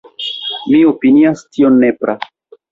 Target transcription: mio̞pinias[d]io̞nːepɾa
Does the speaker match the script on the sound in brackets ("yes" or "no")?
no